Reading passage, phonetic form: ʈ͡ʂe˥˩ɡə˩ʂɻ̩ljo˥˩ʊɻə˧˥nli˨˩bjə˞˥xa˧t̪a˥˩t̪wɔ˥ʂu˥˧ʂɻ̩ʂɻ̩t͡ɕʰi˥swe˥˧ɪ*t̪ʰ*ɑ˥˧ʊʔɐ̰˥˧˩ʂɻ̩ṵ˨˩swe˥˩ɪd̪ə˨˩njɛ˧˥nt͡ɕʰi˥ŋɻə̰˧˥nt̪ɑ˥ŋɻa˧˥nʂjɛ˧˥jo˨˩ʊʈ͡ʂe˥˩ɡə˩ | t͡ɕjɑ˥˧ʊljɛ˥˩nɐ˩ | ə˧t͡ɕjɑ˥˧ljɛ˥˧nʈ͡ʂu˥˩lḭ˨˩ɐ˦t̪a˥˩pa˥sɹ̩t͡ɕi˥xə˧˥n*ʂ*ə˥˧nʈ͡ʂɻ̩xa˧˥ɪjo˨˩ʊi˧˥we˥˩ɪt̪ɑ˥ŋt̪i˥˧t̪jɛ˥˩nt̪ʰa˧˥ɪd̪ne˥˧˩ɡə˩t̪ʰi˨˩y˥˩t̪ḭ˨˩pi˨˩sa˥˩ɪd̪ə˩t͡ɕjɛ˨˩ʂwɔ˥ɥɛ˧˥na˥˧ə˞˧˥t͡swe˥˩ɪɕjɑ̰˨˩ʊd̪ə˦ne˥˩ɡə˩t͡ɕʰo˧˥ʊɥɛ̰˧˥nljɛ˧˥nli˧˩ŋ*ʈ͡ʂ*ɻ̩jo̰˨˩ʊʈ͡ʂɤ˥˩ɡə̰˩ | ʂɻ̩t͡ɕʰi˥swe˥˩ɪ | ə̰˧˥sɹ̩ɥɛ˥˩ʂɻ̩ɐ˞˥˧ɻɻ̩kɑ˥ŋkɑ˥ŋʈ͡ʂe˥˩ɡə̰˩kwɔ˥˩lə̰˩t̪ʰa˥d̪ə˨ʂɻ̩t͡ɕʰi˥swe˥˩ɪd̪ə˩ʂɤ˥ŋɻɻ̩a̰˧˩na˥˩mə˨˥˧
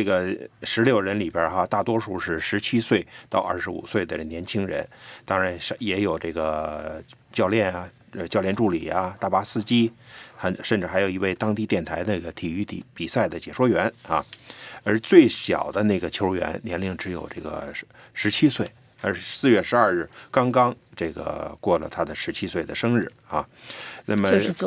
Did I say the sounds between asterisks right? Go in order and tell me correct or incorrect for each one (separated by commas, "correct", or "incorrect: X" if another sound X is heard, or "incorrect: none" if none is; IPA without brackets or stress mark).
incorrect: t̪, correct, correct